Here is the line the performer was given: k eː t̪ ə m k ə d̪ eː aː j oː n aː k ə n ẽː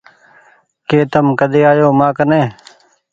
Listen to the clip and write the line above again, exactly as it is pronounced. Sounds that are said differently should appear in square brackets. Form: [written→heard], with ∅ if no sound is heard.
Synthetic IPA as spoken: k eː t̪ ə m k ə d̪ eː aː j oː [n→m] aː k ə n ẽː